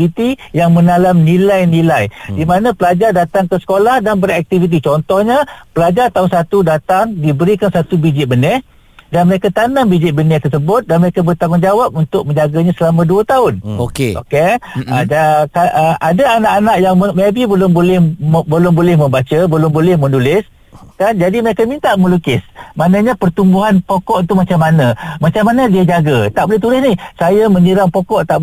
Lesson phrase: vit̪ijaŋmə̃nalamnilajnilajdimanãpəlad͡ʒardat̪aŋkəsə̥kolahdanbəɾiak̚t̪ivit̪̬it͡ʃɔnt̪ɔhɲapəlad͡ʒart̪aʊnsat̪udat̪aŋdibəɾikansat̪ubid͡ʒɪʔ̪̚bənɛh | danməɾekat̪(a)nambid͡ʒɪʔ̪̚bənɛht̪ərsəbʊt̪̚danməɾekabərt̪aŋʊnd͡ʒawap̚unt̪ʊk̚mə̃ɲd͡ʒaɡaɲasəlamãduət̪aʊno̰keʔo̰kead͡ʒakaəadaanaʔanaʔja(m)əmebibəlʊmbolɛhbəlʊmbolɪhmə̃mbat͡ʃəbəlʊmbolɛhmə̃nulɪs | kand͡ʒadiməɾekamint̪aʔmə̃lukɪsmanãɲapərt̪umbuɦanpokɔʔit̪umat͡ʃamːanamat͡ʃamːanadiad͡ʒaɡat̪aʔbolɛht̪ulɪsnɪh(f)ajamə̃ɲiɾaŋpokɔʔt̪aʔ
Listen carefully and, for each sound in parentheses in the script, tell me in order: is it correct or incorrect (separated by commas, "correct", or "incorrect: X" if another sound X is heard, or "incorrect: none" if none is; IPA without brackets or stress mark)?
correct, incorrect: ŋ, incorrect: s